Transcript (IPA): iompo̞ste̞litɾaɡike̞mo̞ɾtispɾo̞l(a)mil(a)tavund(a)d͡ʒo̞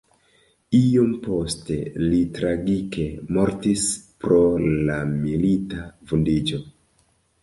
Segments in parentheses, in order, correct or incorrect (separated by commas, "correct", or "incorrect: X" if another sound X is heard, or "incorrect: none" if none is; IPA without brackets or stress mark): correct, incorrect: i, incorrect: i